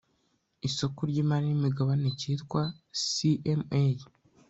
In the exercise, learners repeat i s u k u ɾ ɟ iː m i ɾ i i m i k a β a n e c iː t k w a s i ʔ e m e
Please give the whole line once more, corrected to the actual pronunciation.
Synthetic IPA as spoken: i s o k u ɾ ɟ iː m a ɾ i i m i ɡ a β a n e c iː t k w a s i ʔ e m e